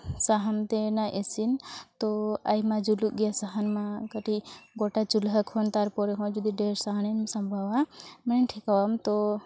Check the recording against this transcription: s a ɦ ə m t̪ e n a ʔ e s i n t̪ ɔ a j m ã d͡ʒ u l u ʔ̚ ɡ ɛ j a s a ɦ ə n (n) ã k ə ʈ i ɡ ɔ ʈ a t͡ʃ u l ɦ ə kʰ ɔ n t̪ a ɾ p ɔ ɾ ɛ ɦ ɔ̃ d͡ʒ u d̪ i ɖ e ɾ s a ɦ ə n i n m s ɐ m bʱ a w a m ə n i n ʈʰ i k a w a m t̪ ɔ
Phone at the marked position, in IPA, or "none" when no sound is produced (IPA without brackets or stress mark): m